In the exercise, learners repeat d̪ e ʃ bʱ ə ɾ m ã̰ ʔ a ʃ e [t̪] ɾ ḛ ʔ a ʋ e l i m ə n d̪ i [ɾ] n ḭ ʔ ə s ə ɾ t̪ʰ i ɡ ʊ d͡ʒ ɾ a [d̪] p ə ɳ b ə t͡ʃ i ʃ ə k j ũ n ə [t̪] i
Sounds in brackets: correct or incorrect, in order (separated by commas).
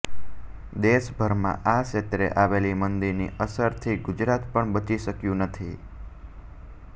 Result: correct, correct, incorrect, incorrect